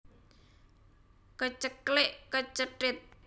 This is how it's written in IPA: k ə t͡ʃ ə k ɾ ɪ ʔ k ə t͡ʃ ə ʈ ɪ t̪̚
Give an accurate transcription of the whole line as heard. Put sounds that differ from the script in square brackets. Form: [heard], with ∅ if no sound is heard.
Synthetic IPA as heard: k ə t͡ʃ ə k [l] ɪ ʔ k ə t͡ʃ ə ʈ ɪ t̪̚